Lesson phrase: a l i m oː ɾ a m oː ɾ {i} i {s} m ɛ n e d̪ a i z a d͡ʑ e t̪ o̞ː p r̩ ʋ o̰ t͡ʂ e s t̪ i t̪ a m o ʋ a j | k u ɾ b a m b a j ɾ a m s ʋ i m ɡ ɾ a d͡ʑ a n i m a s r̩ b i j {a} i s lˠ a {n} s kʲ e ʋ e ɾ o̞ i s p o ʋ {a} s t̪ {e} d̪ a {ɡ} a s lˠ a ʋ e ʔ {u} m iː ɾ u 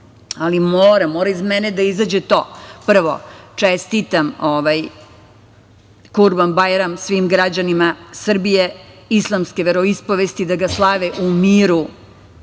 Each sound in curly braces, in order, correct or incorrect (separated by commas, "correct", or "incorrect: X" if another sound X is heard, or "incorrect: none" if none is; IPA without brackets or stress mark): incorrect: a, incorrect: z, incorrect: e, incorrect: m, incorrect: e, incorrect: i, correct, correct